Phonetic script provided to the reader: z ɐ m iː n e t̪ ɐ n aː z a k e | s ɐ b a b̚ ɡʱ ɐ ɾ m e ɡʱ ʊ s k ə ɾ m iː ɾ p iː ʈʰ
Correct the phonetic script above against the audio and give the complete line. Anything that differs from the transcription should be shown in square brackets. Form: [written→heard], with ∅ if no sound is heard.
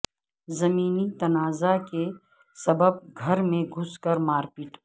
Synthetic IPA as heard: z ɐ m iː n [e→i] t̪ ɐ n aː z a k e | s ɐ b [a→ə] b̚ ɡʱ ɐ ɾ m [e→ẽ] ɡʱ ʊ s k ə ɾ m [iː→aː] ɾ p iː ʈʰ